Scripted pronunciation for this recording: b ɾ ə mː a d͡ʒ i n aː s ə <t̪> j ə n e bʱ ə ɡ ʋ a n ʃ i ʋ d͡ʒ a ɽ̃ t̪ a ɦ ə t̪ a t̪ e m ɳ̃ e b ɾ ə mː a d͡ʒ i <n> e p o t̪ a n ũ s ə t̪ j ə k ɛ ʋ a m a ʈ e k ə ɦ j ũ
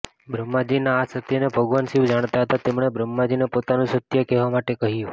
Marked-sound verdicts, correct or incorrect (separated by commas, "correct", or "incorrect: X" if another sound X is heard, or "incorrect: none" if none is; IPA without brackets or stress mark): correct, correct